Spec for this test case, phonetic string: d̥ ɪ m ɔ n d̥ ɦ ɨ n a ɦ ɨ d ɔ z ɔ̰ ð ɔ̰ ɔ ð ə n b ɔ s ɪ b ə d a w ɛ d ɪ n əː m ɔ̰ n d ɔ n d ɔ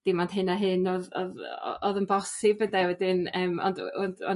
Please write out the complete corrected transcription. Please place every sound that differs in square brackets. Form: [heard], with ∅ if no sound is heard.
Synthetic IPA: d̥ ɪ m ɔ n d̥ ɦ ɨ n a ɦ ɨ [n] ɔ [ð] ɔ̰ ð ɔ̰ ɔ ð ə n b ɔ s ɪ b ə d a w ɛ d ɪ n əː m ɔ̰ n d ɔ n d ɔ